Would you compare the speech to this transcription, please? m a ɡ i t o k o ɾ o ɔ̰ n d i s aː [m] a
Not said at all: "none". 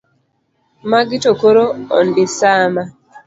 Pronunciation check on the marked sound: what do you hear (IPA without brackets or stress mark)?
m